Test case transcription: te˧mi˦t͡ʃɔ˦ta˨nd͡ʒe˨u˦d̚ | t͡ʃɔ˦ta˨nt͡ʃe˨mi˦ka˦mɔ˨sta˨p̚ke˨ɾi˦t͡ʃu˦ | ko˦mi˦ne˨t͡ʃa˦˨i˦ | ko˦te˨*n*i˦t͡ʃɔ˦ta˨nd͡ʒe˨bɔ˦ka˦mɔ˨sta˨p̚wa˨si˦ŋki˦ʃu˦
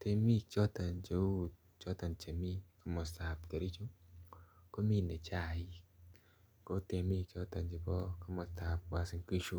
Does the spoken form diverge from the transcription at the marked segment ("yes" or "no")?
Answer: yes